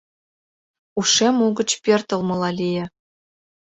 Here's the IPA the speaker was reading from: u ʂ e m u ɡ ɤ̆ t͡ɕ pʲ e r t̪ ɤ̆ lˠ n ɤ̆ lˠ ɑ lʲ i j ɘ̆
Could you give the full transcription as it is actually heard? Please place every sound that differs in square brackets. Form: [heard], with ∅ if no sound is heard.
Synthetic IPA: u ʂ e m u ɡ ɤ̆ t͡ɕ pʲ e r t̪ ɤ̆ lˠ [m] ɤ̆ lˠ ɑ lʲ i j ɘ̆